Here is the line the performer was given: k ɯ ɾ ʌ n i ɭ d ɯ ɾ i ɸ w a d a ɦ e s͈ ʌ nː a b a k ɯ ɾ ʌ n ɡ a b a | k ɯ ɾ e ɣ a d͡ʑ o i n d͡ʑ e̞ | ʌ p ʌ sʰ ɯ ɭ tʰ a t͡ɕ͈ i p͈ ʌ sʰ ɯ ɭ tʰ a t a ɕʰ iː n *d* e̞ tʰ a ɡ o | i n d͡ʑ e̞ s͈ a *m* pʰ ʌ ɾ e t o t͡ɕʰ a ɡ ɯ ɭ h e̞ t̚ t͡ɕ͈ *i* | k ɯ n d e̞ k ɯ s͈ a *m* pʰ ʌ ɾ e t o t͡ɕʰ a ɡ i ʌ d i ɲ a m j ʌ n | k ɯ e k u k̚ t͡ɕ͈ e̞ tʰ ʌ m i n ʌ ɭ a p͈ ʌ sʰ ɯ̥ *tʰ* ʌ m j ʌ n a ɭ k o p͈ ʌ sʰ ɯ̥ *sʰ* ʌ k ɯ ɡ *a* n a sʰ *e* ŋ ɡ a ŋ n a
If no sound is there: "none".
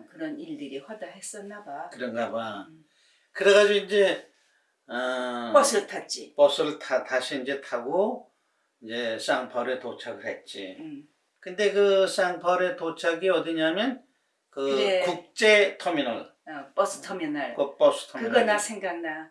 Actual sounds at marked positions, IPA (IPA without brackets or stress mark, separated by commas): d͡ʑ, ŋ, i, ŋ, tʰ, tʰ, ʌ, e